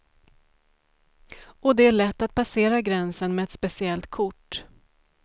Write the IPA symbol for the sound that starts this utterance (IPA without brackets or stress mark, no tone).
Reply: ɔ